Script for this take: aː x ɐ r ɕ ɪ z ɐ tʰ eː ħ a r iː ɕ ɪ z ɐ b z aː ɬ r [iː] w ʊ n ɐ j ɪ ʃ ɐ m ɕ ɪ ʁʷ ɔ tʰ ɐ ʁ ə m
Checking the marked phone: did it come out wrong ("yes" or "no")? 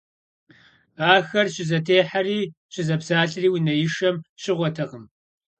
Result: no